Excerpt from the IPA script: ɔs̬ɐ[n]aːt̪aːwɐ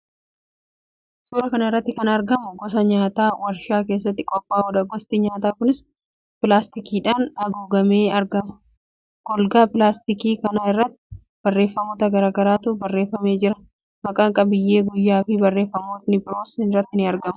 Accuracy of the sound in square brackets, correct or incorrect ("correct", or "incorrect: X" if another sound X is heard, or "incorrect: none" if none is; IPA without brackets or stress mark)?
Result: incorrect: ɲ